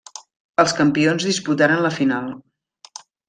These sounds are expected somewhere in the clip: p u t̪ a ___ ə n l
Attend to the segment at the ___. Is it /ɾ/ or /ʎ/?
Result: ɾ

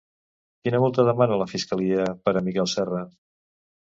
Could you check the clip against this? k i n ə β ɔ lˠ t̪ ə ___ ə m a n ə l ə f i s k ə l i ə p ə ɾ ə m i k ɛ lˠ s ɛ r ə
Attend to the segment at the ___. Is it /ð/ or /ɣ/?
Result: ð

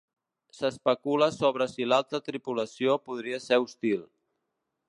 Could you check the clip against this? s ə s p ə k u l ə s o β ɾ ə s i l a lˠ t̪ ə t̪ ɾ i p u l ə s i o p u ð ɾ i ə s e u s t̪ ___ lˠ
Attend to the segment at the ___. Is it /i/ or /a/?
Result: i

